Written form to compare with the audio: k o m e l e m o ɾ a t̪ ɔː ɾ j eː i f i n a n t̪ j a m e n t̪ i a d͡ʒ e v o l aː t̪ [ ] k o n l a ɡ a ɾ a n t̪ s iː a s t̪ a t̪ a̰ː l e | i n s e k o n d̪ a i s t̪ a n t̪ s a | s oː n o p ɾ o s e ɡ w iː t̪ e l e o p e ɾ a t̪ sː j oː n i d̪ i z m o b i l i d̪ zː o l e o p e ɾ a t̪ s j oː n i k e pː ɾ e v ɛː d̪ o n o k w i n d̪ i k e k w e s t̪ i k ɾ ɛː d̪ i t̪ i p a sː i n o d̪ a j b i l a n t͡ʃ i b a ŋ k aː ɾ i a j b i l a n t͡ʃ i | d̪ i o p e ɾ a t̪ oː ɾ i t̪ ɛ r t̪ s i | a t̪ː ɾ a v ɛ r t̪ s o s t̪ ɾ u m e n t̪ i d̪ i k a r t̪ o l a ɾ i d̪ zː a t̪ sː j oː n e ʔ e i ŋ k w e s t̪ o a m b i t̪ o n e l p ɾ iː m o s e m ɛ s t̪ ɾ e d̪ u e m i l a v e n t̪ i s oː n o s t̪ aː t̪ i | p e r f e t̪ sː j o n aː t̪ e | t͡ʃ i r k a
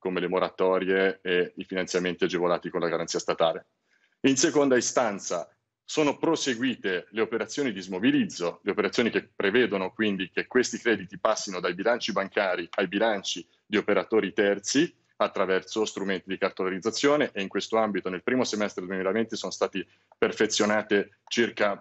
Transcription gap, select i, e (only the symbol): i